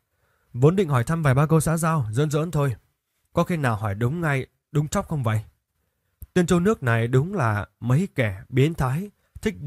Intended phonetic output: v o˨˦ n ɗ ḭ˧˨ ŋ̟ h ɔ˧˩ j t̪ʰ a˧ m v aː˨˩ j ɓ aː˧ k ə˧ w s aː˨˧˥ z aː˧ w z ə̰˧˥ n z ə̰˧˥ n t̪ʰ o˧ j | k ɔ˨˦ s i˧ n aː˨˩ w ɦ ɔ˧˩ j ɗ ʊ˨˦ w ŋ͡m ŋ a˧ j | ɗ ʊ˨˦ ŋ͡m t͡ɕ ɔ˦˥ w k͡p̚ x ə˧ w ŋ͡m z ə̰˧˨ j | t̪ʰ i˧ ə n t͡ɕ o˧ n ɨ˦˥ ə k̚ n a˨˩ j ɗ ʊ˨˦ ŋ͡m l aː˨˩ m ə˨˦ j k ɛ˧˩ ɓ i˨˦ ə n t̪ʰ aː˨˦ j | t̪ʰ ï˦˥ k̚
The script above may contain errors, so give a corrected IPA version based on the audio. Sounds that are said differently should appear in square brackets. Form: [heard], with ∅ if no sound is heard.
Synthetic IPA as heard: v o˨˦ n ɗ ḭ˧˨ ŋ̟ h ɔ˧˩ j t̪ʰ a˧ m v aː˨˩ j ɓ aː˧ k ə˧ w s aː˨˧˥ z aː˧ w z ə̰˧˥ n z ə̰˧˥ n t̪ʰ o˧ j | k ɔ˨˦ [x] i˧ n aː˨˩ w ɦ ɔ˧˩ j ɗ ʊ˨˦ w ŋ͡m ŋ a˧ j | ɗ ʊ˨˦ ŋ͡m t͡ɕ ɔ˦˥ w k͡p̚ x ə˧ w ŋ͡m [v] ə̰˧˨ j | [t̪] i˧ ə n t͡ɕ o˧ n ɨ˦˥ ə k̚ n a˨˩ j ɗ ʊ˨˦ ŋ͡m l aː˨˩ m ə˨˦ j k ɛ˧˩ ɓ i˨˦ ə n t̪ʰ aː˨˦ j | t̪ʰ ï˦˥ k̚

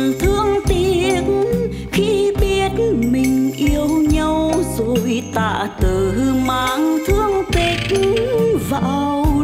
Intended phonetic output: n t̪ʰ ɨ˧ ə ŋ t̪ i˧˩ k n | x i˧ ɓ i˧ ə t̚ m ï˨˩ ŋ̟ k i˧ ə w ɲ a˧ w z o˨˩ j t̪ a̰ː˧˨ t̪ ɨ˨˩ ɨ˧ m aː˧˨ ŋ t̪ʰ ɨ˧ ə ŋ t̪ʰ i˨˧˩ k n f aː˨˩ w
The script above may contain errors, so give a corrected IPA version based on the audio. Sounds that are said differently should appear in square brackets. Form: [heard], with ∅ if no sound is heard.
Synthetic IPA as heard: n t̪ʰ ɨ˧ ə ŋ t̪ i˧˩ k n | x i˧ ɓ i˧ ə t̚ m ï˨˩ ŋ̟ [ʔ] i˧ ə w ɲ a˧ w z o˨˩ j t̪ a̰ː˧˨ t̪ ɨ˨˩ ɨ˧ m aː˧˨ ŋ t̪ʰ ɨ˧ ə ŋ [t̪] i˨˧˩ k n [v] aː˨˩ w

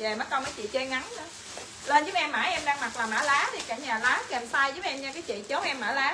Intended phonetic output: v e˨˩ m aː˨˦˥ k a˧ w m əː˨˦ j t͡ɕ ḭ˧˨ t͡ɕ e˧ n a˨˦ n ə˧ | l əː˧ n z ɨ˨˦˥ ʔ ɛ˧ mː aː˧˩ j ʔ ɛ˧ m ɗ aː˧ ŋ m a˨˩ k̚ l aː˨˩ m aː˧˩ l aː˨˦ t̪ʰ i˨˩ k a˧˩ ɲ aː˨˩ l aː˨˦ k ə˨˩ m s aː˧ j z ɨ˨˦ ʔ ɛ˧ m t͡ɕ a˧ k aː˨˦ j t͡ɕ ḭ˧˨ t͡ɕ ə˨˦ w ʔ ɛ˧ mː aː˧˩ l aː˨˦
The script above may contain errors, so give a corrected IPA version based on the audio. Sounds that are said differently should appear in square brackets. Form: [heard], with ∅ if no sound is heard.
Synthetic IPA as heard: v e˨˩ m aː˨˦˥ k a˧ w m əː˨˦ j t͡ɕ ḭ˧˨ t͡ɕ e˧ [ŋ] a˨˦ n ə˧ | l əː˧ n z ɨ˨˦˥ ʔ ɛ˧ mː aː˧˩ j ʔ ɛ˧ m ɗ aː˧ ŋ m a˨˩ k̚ l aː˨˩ m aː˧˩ l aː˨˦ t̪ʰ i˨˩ k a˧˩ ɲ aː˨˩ l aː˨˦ k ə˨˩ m s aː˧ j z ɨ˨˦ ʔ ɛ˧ m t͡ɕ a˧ k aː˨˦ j t͡ɕ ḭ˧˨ t͡ɕ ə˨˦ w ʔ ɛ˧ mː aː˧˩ l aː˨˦

